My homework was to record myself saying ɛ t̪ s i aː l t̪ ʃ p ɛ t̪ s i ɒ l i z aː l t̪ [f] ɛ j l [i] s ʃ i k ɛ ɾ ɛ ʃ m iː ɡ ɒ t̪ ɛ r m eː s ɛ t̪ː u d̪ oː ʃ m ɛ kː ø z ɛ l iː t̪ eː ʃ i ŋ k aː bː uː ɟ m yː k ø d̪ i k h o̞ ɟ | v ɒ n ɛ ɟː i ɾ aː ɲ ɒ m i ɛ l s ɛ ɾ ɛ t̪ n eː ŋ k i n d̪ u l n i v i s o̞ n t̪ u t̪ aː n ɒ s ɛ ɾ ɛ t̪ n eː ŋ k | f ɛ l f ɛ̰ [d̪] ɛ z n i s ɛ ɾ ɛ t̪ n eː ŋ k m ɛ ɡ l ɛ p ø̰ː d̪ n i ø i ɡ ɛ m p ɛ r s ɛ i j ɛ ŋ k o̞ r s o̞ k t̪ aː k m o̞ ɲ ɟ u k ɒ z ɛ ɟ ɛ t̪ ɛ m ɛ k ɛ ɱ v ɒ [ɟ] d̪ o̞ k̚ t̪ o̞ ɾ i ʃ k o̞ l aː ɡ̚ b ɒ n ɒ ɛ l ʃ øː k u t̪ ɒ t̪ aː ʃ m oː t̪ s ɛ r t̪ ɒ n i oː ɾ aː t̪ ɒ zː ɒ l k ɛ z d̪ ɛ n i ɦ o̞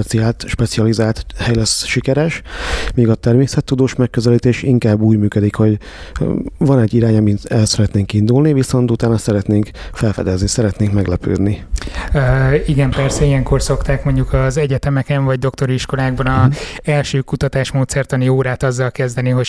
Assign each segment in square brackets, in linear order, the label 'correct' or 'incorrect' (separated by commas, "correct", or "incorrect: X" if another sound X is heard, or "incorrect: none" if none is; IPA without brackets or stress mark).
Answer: incorrect: h, incorrect: ɛ, correct, correct